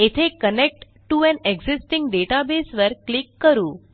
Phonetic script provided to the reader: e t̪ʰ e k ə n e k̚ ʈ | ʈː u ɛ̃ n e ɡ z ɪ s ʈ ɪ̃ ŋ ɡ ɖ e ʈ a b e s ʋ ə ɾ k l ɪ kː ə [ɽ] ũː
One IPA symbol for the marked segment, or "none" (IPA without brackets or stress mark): ɾ